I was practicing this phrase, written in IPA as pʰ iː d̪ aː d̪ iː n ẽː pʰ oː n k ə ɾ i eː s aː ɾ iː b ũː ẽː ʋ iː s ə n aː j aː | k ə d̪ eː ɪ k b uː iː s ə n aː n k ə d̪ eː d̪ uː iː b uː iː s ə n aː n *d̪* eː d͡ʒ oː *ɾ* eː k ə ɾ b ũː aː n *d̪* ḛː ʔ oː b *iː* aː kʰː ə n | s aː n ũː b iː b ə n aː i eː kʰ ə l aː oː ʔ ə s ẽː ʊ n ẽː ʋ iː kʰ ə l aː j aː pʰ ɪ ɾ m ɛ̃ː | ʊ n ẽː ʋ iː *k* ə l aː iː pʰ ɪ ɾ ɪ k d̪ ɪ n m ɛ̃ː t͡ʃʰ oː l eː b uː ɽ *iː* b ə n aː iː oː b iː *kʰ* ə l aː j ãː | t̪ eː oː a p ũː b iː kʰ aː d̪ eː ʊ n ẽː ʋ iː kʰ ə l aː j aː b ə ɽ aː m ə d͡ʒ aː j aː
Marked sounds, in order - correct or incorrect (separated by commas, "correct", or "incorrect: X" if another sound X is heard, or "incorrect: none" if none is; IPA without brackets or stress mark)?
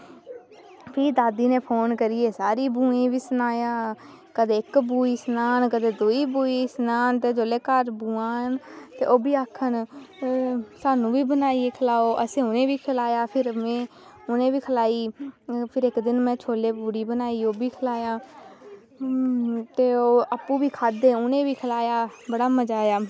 incorrect: t̪, incorrect: l, incorrect: t̪, correct, incorrect: kʰ, correct, correct